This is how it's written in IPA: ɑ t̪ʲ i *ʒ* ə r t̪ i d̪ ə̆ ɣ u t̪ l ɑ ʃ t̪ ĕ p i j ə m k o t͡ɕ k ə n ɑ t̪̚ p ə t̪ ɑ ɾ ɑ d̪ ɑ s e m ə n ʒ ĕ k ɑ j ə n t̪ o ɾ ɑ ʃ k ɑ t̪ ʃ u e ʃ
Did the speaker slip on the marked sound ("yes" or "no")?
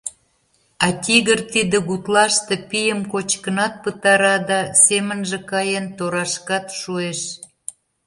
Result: yes